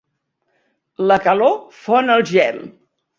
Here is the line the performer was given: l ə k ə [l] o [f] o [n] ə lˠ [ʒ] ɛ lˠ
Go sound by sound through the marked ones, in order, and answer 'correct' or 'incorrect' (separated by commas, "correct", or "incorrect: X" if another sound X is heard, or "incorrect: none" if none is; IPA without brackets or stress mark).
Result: correct, correct, correct, correct